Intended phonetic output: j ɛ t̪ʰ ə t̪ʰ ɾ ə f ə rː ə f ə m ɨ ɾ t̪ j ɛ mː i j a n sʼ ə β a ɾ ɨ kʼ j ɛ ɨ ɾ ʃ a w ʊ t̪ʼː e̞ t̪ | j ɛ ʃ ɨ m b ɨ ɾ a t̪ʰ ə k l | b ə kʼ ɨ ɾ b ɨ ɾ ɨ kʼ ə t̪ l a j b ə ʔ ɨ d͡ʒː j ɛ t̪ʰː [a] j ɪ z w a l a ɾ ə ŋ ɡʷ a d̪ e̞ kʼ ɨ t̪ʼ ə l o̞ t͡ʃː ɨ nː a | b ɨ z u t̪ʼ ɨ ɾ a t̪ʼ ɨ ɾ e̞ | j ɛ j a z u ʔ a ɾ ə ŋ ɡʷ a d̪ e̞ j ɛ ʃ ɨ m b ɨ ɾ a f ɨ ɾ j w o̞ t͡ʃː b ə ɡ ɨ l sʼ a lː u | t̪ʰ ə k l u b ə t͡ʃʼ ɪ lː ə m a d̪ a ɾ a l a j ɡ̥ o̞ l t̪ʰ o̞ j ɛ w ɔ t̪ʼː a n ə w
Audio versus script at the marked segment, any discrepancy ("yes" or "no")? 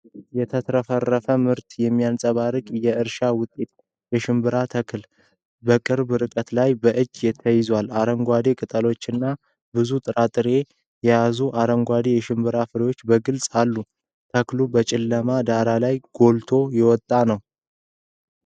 yes